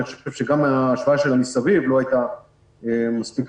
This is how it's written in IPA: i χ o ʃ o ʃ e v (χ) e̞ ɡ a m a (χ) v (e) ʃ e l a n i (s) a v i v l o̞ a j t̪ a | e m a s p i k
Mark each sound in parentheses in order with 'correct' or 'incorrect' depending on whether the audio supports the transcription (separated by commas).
incorrect, incorrect, incorrect, correct